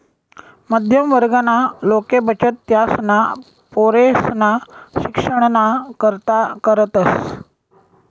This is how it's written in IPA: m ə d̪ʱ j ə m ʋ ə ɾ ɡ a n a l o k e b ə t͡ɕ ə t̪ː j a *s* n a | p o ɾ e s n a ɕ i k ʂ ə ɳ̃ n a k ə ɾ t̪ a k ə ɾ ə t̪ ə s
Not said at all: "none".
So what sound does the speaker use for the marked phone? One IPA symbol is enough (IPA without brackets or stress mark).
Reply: s